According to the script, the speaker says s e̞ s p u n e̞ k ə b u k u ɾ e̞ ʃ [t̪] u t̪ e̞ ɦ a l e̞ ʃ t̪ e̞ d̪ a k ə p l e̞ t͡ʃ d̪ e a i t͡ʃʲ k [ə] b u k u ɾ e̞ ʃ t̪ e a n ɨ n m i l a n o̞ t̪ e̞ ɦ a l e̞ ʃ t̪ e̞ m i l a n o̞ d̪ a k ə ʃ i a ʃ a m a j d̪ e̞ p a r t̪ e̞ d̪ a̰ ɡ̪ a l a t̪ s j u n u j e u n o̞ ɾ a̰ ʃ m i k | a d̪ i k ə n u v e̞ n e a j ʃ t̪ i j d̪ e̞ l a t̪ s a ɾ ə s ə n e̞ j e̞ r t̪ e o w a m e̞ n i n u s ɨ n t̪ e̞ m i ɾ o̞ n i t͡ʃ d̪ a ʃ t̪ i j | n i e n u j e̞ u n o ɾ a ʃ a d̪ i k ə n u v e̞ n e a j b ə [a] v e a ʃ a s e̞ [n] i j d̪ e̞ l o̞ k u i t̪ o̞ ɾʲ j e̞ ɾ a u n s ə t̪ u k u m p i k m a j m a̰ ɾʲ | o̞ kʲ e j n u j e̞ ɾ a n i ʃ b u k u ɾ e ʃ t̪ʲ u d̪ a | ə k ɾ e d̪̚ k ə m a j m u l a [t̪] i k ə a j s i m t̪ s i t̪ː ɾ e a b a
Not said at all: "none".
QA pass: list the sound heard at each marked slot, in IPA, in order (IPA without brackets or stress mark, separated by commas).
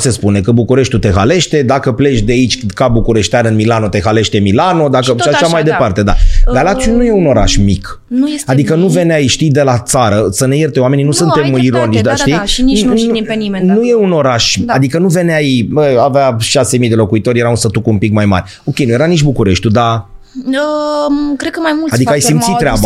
t̪, a, a, m, d̪